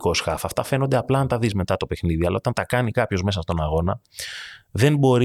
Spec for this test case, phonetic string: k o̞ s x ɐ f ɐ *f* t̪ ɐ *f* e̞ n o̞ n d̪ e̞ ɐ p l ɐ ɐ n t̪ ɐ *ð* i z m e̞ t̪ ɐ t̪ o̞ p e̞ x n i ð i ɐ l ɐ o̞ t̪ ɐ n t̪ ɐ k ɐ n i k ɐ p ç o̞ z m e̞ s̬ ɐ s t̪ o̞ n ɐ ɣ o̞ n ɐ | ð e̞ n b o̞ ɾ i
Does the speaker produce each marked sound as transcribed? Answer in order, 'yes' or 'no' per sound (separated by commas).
yes, yes, yes